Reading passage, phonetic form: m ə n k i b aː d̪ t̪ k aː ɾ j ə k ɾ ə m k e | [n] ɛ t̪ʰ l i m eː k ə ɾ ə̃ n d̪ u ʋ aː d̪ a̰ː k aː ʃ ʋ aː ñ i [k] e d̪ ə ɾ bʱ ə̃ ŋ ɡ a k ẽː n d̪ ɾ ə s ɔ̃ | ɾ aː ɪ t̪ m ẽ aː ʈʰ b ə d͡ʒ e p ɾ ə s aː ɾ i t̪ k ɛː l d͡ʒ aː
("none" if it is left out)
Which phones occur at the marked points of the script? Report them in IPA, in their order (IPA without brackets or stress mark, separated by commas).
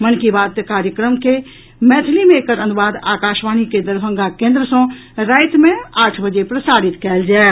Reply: m, k